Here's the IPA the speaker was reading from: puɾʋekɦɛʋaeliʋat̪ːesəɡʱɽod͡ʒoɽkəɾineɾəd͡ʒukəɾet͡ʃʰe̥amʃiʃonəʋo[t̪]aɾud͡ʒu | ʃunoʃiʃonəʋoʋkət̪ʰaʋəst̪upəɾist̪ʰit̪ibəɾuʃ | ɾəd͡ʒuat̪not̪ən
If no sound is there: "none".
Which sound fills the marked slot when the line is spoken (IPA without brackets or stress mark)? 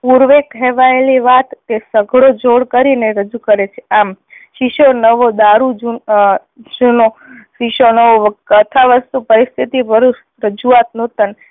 d̪